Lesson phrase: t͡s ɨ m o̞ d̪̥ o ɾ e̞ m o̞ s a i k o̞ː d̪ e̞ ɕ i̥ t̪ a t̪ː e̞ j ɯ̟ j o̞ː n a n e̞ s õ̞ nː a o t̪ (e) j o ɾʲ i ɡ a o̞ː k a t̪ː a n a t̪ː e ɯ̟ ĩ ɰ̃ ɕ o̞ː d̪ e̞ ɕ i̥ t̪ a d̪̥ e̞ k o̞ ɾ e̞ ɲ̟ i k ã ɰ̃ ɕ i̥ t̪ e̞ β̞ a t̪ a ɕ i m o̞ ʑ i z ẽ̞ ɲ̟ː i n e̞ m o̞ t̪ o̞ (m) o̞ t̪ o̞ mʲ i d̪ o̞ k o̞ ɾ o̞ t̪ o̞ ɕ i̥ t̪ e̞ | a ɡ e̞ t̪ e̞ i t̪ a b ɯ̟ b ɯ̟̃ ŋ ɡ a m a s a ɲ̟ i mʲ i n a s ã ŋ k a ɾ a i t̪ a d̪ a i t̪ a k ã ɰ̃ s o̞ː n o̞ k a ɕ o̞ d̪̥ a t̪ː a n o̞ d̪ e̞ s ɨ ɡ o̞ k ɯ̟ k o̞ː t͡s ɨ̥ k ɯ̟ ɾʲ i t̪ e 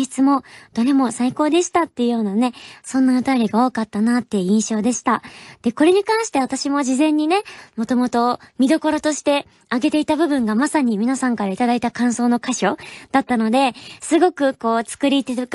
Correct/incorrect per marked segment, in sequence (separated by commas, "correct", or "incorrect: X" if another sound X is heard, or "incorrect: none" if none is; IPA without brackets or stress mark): incorrect: a, correct